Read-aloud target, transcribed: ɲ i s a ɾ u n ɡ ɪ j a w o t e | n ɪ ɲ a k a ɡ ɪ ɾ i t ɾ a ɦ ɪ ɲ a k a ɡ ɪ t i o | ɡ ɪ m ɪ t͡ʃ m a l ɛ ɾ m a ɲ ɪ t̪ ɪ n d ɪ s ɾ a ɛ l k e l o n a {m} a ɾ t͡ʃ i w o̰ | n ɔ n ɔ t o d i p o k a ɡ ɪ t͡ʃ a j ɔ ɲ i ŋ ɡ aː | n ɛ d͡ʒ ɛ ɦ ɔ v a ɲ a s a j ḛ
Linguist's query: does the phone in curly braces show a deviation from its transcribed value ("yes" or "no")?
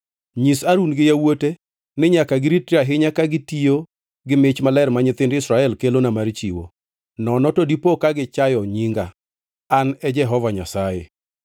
no